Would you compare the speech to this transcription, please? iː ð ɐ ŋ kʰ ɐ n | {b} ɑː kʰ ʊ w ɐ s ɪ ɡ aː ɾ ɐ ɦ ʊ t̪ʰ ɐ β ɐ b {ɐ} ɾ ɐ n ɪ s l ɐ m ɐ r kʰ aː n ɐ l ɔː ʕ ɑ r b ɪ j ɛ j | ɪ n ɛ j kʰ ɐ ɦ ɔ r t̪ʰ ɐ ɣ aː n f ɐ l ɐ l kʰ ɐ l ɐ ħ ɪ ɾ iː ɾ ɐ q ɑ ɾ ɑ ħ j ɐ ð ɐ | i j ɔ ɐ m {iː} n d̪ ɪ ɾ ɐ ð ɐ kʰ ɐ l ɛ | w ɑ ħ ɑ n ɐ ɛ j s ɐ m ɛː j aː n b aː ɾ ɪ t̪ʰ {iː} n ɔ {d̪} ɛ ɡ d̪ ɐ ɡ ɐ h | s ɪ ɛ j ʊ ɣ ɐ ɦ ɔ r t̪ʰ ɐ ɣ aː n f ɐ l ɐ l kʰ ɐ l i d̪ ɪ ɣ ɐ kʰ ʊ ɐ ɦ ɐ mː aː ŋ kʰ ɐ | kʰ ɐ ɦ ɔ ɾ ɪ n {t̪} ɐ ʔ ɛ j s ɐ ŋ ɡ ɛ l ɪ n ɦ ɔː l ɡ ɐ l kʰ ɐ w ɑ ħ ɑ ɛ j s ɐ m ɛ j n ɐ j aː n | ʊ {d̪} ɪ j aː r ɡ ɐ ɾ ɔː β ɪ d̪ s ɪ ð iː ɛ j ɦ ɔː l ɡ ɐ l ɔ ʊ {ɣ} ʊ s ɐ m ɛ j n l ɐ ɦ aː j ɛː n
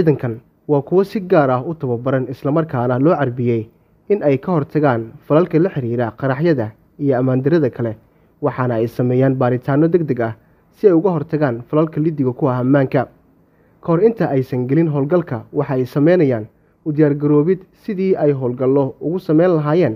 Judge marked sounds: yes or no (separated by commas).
no, yes, no, no, yes, no, yes, yes